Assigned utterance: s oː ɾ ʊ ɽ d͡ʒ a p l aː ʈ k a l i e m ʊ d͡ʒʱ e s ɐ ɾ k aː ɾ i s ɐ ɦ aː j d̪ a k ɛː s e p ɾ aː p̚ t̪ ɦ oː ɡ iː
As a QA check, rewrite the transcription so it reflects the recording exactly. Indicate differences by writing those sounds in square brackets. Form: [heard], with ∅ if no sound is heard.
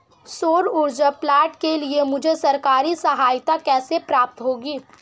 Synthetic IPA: s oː ɾ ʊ [ɾ] d͡ʒ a p l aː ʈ k [e] l i e m ʊ d͡ʒʱ e s ɐ ɾ k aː ɾ i s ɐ ɦ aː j [t̪] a k ɛː s e p ɾ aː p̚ t̪ ɦ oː ɡ iː